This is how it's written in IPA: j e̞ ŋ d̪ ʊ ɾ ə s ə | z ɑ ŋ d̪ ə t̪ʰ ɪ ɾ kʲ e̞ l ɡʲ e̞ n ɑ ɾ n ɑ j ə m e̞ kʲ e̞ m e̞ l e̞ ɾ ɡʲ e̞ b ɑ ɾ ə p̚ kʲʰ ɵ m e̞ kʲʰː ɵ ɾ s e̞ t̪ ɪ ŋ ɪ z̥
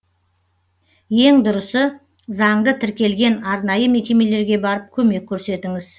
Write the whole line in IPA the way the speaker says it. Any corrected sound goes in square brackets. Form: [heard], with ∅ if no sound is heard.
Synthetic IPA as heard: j e̞ ŋ d̪ ʊ ɾ ə s ə | z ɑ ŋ d̪ ə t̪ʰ ɪ ɾ kʲ e̞ l ɡʲ e̞ n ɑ ɾ n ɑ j ə m e̞ kʲ e̞ m e̞ l e̞ ɾ ɡʲ e̞ b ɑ ɾ ə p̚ kʲʰ ɵ m e̞ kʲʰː ɵ ɾ s e̞ t̪ ɪ ŋ ɪ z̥